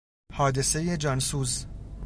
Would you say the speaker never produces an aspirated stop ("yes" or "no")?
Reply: yes